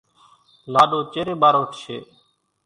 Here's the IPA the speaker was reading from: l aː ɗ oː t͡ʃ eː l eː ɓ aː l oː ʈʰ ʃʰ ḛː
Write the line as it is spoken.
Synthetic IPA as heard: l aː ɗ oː t͡ʃ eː ɾ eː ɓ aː ɾ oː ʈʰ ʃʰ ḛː